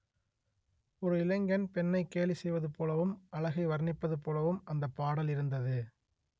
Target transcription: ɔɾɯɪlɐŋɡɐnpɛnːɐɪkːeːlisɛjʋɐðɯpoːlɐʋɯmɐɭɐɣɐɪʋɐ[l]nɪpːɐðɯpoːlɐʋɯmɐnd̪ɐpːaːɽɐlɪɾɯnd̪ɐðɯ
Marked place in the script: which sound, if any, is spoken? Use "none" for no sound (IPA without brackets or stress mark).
ɾ